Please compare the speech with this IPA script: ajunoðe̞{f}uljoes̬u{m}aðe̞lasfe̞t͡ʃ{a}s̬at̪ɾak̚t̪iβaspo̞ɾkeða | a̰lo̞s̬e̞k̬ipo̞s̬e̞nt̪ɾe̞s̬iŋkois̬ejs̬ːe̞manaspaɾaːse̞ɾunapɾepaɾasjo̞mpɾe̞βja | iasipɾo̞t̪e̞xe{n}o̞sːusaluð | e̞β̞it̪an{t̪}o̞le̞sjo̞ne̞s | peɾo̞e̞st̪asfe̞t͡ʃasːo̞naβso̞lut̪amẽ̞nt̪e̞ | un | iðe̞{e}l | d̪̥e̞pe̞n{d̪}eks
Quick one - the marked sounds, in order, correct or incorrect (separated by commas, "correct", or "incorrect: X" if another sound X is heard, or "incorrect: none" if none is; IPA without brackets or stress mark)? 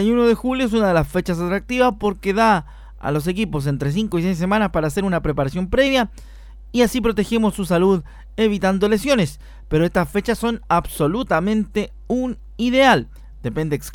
incorrect: x, incorrect: n, correct, incorrect: m, incorrect: d̪, incorrect: a, correct